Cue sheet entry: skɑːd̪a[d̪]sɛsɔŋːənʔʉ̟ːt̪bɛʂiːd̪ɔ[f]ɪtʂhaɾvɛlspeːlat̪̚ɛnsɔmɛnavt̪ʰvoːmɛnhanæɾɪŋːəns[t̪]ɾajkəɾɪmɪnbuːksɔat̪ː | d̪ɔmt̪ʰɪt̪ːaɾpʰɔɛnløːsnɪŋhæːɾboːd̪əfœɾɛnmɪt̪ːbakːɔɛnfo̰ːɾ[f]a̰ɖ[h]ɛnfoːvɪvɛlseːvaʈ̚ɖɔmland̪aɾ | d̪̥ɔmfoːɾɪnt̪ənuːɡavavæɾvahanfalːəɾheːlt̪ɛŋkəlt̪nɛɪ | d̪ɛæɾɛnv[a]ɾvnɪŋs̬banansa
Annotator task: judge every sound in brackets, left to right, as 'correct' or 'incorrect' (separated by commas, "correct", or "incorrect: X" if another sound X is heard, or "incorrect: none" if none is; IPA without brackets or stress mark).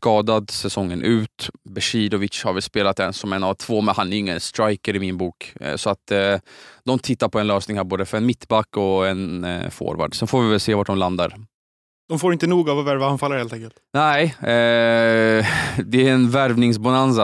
correct, incorrect: v, correct, incorrect: v, incorrect: s, incorrect: æ